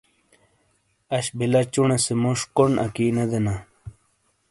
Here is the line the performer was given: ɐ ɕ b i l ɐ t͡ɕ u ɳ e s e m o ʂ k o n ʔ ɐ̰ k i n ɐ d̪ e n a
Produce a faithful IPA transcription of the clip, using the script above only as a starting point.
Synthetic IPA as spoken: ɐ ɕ b i l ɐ t͡ɕ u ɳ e s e m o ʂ k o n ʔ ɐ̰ k i n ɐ d̪ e n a